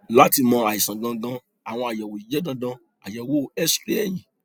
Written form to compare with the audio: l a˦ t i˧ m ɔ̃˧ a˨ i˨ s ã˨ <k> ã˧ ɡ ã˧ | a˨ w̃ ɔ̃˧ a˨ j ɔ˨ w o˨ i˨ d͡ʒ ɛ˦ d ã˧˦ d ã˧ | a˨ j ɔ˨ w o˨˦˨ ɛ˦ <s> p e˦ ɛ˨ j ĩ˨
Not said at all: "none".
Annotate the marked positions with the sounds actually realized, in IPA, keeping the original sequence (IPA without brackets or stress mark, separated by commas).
ɡ, s